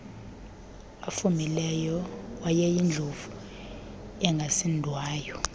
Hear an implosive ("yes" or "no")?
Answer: no